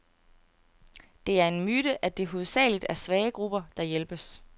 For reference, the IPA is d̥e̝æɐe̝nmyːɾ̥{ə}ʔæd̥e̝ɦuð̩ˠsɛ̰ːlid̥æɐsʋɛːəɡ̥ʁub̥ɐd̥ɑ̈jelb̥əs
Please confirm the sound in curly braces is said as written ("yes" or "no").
yes